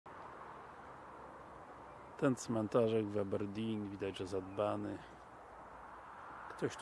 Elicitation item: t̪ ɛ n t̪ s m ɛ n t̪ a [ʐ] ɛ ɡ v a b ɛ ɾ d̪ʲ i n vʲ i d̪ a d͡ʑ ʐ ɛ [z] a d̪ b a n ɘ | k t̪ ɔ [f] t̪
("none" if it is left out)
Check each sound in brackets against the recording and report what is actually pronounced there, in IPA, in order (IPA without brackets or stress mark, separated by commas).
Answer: ʐ, z, ɕ